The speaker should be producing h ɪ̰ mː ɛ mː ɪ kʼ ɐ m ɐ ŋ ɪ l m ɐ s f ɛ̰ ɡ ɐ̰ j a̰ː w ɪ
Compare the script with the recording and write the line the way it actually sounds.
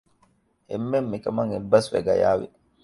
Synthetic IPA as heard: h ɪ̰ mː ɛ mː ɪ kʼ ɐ m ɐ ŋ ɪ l b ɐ s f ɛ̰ ɡ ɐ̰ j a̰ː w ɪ